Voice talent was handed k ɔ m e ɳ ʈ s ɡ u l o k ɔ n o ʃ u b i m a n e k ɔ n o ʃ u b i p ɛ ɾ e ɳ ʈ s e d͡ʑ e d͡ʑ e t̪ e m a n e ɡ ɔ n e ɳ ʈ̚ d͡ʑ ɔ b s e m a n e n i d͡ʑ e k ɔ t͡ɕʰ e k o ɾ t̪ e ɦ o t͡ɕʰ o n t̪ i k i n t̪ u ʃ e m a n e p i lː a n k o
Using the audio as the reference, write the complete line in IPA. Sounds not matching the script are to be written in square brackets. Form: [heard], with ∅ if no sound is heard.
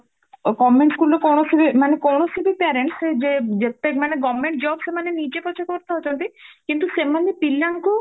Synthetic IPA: k ɔ m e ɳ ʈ s ɡ u l o k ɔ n o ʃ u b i m a n e k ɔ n o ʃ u b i p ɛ ɾ e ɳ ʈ s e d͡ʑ e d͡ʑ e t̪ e m a n e ɡ ɔ [m] e ɳ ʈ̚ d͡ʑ ɔ b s e m a n e n i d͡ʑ e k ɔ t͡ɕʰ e k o ɾ t̪ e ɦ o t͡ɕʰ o n t̪ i k i n t̪ u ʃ e m a n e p i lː a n k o